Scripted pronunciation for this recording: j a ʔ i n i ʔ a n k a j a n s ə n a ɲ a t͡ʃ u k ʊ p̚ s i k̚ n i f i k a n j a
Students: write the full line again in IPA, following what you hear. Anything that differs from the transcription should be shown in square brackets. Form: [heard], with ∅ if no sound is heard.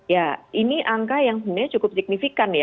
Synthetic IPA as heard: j a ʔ i n i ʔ a [ŋ] k a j a [ŋ] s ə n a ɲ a t͡ʃ u k ʊ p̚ s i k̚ n i f i k a n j a